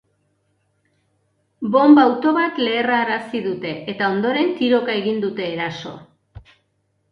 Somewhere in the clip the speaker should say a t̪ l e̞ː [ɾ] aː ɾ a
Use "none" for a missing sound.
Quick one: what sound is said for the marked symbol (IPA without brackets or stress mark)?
r